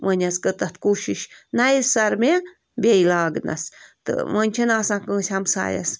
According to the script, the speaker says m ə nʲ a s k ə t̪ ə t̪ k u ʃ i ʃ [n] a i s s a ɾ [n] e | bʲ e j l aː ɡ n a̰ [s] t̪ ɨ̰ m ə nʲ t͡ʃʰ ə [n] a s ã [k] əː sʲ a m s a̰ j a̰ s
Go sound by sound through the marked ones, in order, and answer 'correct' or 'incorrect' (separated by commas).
correct, incorrect, correct, correct, correct